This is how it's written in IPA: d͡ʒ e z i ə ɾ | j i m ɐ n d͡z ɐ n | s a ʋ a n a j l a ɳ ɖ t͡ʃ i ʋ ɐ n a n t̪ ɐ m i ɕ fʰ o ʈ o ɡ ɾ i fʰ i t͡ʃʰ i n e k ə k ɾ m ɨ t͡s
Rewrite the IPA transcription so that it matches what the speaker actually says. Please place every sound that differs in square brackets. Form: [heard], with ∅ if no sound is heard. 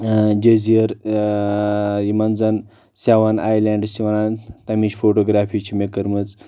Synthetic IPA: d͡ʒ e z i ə ɾ | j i m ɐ n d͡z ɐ n | s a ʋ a n a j l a ɳ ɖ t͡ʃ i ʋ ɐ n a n t̪ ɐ m i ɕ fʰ o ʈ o ɡ ɾ [a] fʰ i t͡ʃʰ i [m] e k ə [∅] ɾ m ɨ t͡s